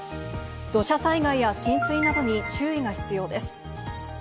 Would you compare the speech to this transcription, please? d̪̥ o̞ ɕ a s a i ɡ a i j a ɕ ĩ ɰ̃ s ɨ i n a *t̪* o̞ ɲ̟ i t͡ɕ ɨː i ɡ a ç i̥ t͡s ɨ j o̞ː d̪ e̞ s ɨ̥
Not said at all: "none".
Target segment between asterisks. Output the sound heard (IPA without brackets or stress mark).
d̪